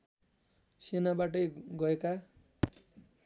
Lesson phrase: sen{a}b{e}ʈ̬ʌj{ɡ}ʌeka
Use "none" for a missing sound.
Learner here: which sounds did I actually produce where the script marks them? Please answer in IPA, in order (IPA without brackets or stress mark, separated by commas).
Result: a, a, ɡ